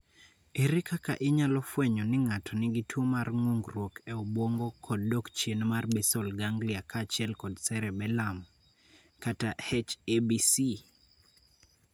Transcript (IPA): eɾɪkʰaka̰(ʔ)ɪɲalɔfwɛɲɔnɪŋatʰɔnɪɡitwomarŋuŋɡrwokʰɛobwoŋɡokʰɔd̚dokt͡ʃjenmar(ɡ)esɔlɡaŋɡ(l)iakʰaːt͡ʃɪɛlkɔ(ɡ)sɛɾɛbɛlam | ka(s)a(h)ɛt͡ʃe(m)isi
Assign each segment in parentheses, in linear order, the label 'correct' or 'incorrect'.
correct, incorrect: b, correct, incorrect: d, incorrect: t, correct, incorrect: b

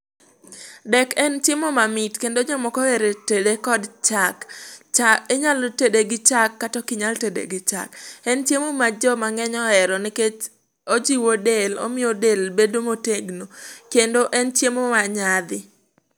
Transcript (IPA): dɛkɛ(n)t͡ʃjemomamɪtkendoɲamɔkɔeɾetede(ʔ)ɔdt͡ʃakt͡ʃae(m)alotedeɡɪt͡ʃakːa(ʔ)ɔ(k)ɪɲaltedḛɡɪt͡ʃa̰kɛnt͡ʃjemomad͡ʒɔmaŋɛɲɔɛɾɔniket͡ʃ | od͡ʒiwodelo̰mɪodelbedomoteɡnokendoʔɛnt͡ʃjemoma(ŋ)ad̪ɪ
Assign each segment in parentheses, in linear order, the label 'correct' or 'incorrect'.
correct, incorrect: k, incorrect: ɲ, incorrect: t, correct, incorrect: ɲ

